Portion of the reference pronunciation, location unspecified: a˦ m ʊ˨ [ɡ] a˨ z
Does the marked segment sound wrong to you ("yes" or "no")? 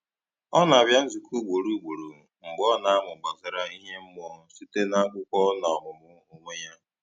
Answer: yes